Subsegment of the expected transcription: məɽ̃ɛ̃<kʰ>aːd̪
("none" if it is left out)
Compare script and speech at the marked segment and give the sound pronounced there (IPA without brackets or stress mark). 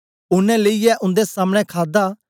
kʰ